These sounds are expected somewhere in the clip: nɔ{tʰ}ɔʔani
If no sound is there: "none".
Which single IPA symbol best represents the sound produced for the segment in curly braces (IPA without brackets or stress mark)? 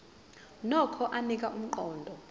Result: kʰ